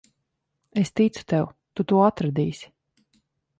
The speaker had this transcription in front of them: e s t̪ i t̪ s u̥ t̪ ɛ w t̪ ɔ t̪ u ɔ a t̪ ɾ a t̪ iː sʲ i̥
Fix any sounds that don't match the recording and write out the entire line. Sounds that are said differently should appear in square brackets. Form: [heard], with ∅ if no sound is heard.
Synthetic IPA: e s t̪ i t̪ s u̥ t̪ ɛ w t̪ [u] t̪ u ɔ a t̪ ɾ a [d̪] iː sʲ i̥